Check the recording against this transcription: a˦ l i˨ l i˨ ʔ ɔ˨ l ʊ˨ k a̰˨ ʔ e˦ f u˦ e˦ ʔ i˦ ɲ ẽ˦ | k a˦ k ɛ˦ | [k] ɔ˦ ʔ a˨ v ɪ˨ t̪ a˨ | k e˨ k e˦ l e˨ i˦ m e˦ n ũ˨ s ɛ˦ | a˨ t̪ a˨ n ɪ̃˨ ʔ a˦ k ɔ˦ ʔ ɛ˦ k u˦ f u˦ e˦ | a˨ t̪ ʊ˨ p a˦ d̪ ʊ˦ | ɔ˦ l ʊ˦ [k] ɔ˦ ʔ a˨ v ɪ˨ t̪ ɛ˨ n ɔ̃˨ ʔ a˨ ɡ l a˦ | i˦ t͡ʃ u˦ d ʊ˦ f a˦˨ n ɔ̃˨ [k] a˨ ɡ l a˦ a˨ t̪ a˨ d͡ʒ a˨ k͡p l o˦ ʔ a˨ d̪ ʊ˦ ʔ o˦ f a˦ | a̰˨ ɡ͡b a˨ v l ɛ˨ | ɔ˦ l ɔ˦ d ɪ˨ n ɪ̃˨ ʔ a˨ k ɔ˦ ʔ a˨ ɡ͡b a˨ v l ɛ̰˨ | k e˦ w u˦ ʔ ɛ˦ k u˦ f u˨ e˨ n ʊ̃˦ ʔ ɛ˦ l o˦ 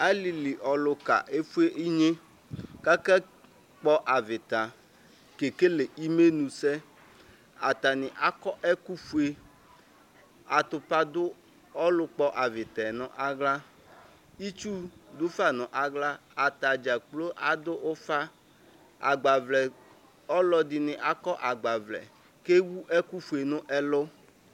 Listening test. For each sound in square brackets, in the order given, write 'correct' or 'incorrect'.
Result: incorrect: k͡p, incorrect: k͡p, incorrect: ʔ

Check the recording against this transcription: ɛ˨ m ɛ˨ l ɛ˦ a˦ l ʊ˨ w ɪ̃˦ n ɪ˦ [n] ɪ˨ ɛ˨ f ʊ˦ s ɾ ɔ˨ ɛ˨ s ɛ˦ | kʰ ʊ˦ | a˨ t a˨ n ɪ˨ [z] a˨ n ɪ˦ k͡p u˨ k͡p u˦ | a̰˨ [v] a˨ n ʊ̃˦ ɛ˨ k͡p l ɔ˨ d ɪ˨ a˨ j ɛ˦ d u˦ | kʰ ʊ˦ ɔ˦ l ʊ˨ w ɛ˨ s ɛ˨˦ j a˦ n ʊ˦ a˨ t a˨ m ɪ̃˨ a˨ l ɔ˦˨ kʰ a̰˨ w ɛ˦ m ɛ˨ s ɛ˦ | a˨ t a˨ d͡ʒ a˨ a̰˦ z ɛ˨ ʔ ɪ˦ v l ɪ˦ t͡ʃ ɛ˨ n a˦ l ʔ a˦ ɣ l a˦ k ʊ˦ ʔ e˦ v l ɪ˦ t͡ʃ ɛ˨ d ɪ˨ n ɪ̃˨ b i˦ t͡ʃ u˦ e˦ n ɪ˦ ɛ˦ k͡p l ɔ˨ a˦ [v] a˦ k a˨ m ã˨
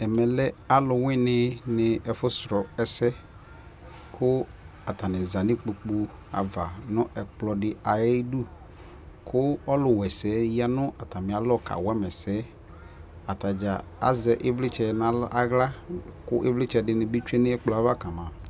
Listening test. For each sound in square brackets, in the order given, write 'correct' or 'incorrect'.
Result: correct, correct, correct, correct

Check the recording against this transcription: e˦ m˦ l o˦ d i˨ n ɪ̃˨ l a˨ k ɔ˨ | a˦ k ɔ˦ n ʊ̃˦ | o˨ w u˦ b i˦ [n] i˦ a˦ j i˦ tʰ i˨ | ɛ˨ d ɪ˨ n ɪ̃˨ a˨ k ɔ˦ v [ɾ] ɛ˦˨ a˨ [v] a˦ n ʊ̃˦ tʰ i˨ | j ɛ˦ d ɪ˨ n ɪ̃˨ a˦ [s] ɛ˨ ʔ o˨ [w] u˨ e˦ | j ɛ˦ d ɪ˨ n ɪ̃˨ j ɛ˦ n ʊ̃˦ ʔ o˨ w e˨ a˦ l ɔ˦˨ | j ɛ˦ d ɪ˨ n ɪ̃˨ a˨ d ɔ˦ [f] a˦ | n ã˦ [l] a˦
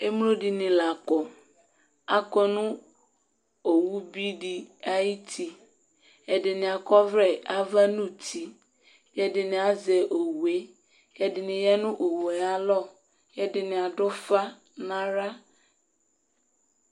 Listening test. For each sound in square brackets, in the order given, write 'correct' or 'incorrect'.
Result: incorrect: d, correct, correct, incorrect: z, correct, correct, incorrect: ɾ

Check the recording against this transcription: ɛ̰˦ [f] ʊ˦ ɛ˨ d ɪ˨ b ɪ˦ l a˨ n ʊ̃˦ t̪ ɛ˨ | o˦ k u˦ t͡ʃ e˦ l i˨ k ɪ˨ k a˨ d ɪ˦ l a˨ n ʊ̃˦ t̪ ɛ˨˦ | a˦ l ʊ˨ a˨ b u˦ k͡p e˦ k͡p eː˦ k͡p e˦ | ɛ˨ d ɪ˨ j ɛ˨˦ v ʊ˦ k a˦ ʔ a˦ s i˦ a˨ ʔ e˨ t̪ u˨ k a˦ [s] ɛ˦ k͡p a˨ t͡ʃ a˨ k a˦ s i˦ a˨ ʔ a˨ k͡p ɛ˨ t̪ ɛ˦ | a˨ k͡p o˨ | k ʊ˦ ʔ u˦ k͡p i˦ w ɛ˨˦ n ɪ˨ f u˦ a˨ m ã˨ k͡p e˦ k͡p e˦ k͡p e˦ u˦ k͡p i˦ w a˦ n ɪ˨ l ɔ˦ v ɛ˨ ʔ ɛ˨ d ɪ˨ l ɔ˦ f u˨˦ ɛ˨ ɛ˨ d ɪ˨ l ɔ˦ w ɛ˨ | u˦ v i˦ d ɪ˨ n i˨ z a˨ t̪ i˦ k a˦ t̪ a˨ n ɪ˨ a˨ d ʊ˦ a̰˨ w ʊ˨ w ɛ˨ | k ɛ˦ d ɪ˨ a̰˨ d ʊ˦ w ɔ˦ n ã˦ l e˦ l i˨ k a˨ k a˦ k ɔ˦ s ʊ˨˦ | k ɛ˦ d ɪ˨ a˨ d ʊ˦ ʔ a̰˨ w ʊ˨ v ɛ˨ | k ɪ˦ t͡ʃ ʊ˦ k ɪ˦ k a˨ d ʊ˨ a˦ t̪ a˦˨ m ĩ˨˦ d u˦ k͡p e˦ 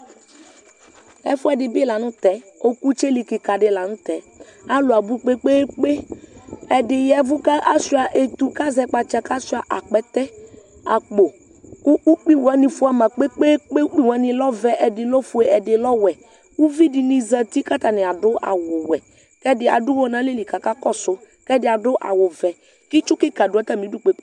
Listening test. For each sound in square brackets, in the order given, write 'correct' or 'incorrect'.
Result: correct, incorrect: z

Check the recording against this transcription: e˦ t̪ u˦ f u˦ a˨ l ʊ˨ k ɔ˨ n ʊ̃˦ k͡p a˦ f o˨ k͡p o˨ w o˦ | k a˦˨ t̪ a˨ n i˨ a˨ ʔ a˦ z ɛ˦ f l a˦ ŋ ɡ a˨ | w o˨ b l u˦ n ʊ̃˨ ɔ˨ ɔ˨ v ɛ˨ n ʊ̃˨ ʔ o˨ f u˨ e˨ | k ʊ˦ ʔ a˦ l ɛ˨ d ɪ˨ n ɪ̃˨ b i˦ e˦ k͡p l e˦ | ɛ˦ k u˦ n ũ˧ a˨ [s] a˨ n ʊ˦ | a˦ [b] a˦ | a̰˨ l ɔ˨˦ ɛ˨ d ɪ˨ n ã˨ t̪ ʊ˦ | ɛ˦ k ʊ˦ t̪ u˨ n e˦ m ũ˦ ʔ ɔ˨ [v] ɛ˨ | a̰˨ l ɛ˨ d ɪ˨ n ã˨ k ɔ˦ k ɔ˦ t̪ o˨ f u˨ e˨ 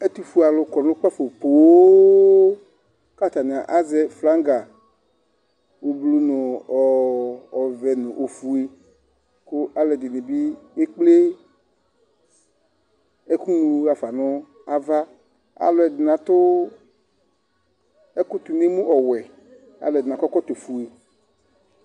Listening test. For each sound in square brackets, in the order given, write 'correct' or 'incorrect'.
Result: incorrect: f, incorrect: v, incorrect: w

